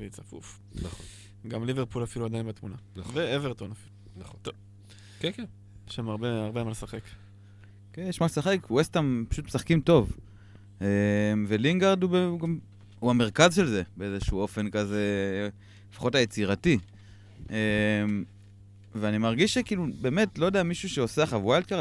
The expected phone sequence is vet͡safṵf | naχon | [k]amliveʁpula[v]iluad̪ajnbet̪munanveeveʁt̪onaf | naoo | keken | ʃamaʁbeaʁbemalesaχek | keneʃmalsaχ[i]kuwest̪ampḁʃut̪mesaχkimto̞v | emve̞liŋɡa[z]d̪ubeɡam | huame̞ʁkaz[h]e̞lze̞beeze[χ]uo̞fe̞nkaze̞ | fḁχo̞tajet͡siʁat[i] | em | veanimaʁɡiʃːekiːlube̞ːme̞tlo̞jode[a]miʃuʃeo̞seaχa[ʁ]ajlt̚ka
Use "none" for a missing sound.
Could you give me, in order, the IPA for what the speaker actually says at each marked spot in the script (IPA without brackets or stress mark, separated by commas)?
ɡ, f, e, ʁ, ʃ, ʃ, i, a, v